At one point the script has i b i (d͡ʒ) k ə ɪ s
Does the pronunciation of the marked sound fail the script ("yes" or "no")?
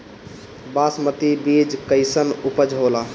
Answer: no